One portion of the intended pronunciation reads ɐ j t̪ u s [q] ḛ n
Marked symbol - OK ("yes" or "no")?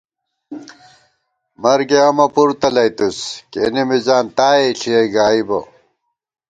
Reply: no